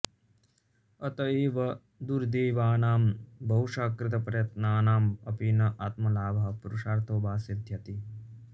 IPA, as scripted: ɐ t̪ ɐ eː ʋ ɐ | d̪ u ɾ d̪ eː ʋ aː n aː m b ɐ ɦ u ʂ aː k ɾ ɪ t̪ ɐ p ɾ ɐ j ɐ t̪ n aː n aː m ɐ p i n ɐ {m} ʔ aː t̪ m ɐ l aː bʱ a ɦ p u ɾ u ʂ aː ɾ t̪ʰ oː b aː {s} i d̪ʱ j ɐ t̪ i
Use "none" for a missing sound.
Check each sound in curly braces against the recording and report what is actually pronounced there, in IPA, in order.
none, s

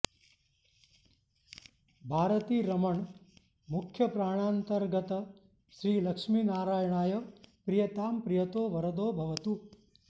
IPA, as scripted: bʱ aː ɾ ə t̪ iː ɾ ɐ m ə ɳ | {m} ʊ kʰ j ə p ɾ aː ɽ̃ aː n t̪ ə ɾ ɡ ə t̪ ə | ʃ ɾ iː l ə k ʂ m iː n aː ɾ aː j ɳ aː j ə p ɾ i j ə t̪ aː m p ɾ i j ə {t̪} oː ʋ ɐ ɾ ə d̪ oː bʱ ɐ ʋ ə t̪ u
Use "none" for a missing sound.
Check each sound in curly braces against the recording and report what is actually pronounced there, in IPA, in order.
m, t̪

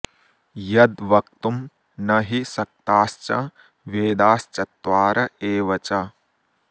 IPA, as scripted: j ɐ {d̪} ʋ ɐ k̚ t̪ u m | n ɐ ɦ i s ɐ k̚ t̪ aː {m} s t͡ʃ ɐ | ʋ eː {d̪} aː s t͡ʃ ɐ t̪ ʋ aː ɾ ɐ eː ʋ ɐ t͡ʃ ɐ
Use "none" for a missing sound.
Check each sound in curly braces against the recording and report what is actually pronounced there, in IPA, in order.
d̪, none, d̪

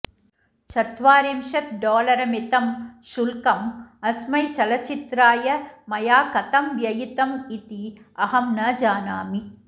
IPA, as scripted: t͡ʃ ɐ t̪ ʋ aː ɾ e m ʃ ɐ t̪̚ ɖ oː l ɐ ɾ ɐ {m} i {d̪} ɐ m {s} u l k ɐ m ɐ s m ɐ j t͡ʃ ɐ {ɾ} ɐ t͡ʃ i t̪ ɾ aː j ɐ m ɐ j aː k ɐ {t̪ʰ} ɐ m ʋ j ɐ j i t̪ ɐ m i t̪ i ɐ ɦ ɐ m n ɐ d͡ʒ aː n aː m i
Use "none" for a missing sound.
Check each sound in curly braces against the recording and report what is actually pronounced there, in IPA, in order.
m, t̪, ʃ, l, t̪

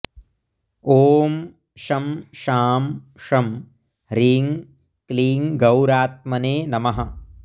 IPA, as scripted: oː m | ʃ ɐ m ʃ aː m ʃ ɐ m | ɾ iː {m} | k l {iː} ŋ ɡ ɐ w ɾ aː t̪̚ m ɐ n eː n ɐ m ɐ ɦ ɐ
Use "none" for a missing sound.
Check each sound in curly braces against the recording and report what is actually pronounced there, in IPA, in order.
ŋ, iː

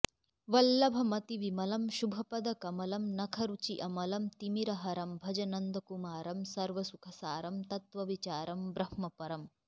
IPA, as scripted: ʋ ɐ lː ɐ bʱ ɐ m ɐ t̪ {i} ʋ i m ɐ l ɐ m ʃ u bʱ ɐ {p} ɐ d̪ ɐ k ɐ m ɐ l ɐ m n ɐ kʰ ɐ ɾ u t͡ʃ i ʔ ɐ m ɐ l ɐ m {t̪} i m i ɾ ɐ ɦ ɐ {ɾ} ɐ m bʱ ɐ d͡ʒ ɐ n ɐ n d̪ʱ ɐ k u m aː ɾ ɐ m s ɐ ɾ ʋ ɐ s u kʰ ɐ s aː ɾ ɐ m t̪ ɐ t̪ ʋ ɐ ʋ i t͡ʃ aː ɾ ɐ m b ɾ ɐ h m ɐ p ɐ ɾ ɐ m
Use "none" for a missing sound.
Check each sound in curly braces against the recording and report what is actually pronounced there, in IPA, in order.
i, p, t̪, ɾ

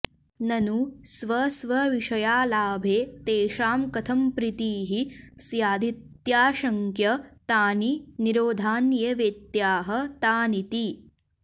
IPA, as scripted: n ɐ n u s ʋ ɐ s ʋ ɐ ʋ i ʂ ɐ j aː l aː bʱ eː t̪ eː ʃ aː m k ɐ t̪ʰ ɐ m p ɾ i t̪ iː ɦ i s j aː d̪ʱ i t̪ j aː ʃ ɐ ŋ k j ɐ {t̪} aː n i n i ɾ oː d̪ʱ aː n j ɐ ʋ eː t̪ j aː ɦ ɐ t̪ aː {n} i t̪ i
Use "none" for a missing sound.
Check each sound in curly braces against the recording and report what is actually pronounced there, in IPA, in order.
t̪, n

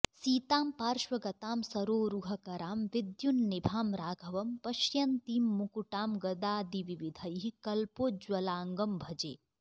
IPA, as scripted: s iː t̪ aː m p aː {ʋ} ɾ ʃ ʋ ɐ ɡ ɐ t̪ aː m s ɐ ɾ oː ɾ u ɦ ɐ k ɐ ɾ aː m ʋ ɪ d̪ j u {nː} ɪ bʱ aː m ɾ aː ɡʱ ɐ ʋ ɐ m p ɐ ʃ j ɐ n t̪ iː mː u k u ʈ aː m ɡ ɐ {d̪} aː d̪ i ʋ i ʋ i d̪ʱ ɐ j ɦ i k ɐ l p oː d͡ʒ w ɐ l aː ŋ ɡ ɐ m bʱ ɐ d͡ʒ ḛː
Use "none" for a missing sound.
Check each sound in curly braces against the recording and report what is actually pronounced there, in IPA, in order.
none, nː, d̪

